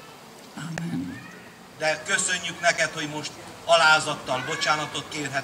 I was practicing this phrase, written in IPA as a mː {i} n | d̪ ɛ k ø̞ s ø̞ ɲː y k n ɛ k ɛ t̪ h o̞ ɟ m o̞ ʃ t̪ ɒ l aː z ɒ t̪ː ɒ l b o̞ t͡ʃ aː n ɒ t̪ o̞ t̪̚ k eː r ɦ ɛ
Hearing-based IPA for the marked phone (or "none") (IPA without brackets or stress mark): ɛ